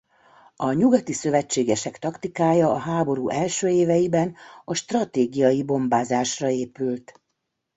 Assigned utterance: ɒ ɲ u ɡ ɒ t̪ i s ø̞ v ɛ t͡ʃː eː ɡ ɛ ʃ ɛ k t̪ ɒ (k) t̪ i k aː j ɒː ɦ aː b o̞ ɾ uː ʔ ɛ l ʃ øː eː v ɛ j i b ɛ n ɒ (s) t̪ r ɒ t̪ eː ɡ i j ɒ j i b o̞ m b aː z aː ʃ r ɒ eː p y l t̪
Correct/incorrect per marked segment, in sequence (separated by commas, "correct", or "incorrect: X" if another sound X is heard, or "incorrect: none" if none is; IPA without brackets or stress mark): correct, incorrect: ʃ